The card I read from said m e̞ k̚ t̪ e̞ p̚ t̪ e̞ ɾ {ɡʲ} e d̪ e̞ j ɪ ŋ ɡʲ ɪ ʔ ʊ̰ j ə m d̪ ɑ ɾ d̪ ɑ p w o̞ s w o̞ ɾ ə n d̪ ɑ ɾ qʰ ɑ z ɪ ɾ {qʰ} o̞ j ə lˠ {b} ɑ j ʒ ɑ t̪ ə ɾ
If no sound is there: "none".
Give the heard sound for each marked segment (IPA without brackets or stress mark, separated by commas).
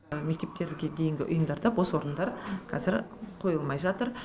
ɡʲ, qʰ, m